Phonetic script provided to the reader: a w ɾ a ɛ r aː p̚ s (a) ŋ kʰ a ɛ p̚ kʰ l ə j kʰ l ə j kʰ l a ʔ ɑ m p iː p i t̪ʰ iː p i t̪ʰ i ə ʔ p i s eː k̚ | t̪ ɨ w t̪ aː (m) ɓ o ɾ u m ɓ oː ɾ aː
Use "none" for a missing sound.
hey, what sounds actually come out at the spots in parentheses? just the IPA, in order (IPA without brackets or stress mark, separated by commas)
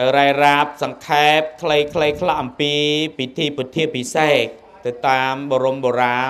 ɑ, m